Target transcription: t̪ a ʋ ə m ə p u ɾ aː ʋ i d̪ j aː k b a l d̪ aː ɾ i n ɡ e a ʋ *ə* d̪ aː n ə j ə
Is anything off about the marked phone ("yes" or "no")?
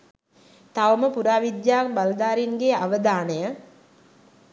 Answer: no